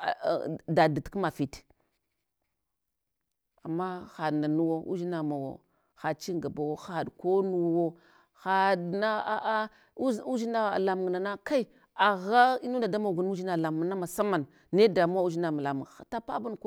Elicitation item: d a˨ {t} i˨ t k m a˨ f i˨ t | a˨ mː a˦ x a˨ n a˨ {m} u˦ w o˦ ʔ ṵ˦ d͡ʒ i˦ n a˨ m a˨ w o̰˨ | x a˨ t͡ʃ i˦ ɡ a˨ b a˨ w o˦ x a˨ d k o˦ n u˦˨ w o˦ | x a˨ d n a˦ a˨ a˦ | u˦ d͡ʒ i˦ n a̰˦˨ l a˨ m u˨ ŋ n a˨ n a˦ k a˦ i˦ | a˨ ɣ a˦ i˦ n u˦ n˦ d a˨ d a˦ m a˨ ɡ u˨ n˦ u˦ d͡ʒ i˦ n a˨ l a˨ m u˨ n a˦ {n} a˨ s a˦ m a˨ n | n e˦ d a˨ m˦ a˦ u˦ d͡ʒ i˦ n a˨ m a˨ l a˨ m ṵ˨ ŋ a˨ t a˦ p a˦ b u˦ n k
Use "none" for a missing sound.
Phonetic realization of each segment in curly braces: d, n, m

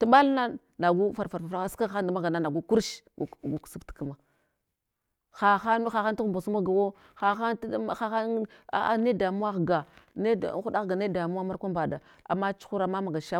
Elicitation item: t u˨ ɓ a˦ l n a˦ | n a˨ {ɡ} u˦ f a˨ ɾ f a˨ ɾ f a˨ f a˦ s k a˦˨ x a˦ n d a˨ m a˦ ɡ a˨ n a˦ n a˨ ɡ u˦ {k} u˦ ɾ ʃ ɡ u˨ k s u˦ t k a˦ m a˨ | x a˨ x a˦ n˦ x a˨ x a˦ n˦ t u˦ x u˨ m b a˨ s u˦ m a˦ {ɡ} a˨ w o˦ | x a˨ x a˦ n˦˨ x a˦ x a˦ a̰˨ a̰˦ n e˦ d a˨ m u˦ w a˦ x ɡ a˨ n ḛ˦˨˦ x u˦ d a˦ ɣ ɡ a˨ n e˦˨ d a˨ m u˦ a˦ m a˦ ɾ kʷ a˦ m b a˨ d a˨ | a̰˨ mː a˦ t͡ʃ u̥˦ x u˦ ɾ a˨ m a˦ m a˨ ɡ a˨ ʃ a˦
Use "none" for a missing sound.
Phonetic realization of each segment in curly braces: ɡ, k, ɡ

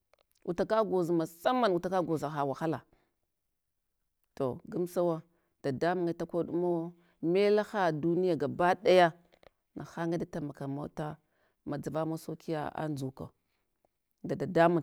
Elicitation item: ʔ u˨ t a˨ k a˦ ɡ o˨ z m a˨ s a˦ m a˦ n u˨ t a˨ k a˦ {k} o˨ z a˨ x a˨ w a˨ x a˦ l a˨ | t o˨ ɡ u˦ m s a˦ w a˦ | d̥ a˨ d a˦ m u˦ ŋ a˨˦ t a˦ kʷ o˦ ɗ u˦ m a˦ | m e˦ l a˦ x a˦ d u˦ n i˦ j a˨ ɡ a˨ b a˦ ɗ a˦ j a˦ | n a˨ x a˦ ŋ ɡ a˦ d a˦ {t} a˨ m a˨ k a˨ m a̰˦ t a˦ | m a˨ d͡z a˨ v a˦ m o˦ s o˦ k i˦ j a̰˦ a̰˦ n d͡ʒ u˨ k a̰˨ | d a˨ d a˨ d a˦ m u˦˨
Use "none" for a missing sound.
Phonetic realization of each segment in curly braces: ɡ, t

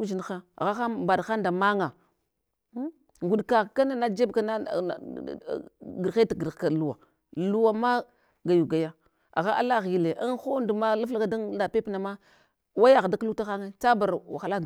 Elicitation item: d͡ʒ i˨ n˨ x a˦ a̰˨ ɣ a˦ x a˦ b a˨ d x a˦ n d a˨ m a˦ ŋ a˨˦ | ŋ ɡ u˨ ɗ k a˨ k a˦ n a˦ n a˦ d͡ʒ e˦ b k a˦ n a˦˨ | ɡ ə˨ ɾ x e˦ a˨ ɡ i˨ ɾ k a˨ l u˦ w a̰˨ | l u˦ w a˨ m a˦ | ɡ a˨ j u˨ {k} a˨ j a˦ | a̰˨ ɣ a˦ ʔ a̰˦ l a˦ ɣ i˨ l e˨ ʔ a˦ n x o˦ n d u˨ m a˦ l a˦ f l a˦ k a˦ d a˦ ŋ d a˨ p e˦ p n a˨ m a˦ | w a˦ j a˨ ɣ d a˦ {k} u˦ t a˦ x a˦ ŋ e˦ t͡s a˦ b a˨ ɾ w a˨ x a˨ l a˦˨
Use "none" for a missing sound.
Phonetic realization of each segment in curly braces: ɡ, k

